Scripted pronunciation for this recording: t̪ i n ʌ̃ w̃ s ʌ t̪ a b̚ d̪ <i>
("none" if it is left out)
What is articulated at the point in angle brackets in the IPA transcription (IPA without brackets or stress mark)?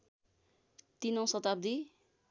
i